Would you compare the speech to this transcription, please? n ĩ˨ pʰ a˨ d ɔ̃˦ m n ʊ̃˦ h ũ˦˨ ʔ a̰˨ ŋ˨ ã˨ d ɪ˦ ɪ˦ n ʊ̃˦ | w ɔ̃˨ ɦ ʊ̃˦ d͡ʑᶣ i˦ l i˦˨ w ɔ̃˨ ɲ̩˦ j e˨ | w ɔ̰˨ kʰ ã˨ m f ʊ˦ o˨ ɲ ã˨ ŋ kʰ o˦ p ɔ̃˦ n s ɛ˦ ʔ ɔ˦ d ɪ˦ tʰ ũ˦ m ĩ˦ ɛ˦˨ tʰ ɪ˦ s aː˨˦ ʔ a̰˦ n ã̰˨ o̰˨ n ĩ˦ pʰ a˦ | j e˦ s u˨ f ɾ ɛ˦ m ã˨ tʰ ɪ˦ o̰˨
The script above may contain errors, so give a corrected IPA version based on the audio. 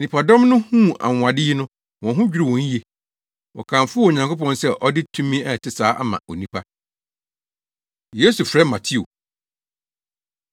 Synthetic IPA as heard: n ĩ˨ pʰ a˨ d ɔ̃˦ m n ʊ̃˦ h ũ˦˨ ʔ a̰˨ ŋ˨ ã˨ d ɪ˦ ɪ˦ n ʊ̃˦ | w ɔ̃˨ ɦ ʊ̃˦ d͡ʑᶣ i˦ ɾ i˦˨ w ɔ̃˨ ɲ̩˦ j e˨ | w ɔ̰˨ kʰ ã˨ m f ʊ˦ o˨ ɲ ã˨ ŋ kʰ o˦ p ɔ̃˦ n s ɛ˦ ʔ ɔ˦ d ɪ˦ tʰ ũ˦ m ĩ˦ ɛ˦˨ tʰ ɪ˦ s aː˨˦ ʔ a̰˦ m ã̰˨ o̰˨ n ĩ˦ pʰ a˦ | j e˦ s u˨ f ɾ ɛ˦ m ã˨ tʰ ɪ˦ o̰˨